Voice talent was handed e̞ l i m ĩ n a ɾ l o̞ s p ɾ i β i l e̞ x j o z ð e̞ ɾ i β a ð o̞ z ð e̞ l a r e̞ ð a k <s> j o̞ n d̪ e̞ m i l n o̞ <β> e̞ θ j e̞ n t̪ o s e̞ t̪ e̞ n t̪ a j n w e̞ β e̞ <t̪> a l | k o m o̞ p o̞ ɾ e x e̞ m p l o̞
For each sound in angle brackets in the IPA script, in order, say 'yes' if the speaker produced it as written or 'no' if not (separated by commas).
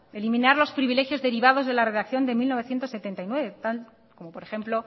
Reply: no, yes, yes